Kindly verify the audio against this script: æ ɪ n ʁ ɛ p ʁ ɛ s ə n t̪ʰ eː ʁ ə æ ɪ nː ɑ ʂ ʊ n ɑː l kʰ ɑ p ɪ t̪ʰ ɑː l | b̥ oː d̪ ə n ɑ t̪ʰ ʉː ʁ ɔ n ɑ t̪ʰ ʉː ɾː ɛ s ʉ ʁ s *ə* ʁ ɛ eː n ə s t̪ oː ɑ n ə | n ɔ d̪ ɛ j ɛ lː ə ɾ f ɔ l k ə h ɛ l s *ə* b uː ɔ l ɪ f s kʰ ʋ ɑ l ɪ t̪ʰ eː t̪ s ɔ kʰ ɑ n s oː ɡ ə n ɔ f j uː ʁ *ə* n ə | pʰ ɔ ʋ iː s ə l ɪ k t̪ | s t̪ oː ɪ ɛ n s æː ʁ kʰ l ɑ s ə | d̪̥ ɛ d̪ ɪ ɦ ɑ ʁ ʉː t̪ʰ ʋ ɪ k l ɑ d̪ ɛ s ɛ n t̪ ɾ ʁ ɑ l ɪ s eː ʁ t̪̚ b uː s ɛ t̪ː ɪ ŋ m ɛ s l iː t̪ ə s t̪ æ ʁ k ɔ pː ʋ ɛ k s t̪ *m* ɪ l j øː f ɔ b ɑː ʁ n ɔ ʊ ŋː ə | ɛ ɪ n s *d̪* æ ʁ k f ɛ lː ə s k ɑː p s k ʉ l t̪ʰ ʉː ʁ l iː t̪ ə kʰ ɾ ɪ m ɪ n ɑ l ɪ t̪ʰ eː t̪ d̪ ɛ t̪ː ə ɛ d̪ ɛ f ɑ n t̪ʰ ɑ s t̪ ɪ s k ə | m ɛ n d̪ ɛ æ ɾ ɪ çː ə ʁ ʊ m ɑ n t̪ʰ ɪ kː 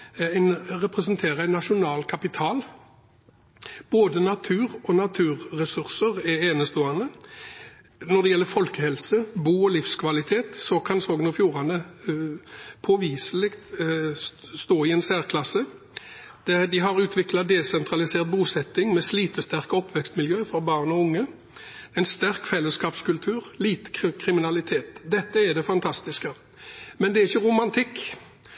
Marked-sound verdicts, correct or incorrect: correct, correct, incorrect, correct, incorrect

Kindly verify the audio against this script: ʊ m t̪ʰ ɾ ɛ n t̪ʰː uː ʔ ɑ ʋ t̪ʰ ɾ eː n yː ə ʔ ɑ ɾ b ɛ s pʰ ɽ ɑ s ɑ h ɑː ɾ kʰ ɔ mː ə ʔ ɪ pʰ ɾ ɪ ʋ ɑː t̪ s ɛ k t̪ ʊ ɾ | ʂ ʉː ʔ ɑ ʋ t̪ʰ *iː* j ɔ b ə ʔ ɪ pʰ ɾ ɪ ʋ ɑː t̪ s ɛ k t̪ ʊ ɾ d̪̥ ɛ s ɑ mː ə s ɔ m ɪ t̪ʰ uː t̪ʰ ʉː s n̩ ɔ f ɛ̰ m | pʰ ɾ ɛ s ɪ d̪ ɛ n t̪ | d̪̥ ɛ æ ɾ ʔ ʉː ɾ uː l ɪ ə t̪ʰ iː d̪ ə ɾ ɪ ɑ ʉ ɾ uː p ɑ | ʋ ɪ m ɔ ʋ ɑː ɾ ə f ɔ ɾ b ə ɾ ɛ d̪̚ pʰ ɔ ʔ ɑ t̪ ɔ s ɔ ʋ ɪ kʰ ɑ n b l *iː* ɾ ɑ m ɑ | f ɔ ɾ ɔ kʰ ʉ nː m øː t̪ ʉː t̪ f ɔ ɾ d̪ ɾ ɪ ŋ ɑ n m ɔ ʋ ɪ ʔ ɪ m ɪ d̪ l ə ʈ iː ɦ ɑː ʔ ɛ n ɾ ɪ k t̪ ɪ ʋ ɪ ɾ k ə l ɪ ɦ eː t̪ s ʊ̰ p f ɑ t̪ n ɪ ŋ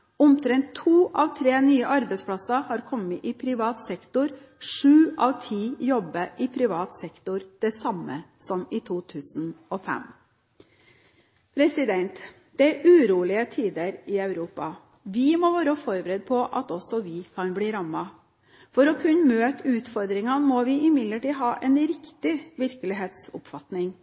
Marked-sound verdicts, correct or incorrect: correct, correct

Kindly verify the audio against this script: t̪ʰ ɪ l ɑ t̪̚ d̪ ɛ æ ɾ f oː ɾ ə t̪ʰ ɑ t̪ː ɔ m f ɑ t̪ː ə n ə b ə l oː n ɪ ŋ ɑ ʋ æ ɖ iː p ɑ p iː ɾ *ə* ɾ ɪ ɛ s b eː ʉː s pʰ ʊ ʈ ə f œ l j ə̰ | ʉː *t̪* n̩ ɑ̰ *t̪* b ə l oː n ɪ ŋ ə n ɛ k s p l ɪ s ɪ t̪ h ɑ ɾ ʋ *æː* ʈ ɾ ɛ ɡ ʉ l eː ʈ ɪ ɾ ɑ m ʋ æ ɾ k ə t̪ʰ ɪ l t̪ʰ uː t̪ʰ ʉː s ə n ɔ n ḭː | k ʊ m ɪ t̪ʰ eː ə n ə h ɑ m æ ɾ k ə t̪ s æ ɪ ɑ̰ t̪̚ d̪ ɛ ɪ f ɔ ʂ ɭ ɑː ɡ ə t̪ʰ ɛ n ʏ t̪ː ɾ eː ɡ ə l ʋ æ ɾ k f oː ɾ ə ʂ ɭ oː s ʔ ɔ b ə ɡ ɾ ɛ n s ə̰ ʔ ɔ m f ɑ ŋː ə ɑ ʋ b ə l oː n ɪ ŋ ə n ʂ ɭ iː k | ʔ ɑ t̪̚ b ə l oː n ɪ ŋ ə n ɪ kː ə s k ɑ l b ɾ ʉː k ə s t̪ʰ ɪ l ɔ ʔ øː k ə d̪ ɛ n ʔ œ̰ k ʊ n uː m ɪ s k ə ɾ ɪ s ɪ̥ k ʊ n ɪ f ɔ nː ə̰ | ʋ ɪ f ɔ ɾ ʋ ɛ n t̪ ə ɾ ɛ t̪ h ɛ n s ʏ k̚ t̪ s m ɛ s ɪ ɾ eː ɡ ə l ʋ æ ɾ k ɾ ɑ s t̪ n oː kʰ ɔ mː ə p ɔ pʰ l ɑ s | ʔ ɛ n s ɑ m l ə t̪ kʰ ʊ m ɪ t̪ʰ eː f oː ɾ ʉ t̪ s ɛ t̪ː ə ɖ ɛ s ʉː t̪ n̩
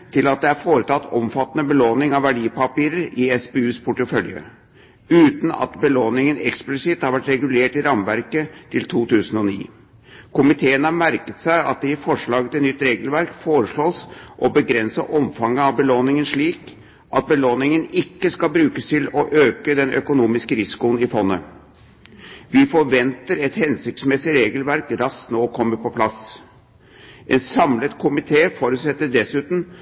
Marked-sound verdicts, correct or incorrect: correct, correct, correct, incorrect

